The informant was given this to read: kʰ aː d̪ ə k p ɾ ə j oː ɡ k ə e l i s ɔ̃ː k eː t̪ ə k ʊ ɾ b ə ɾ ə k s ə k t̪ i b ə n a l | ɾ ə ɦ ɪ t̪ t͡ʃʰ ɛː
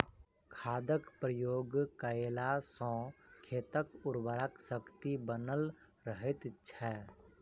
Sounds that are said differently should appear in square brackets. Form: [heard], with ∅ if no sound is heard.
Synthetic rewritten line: kʰ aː d̪ ə k p ɾ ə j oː ɡ k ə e l [a] s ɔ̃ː [kʰ] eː t̪ ə k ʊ ɾ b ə ɾ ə k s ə k t̪ i b ə n [ə] l | ɾ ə ɦ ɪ t̪ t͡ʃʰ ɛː